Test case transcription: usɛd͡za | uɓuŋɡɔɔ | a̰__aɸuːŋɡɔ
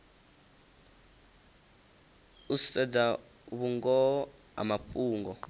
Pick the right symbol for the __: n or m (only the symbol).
m